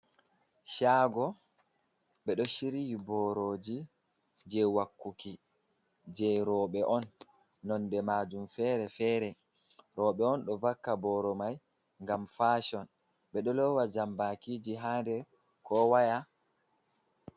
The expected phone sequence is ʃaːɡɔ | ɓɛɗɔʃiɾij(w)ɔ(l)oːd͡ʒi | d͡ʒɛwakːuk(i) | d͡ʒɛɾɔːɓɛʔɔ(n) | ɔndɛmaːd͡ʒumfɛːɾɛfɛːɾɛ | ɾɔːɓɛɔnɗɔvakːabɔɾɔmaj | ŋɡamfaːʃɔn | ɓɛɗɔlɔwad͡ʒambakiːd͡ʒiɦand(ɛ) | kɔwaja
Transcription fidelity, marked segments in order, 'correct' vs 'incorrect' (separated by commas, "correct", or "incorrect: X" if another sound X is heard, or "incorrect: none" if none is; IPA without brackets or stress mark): incorrect: b, incorrect: ɾ, correct, incorrect: nː, correct